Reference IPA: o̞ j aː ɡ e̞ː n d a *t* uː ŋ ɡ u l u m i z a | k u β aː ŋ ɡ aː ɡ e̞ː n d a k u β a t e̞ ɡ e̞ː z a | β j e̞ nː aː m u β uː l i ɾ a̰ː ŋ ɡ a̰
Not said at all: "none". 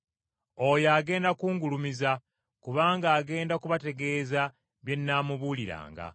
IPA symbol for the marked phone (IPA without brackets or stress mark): k